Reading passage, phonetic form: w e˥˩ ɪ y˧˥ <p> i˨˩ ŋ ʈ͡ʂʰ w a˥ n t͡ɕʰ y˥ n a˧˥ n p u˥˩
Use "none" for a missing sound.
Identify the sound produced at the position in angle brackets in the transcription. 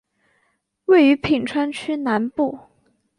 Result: pʰ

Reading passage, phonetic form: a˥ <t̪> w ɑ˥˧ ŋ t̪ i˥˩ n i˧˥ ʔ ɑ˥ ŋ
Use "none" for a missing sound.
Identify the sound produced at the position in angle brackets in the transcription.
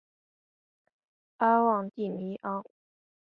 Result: none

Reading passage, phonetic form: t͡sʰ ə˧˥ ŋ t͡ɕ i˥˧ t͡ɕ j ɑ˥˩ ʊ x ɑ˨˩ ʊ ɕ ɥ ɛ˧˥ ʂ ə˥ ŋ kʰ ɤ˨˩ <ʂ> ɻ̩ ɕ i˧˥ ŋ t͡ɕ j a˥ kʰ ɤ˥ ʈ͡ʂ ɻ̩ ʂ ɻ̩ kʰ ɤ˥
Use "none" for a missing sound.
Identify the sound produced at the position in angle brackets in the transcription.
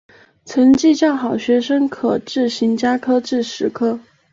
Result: ʈ͡ʂ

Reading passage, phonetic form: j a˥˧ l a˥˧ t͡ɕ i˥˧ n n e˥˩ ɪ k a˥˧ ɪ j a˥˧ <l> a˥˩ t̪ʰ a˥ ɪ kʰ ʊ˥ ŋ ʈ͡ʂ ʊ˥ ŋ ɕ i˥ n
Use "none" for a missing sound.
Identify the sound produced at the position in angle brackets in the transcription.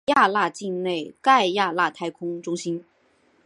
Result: l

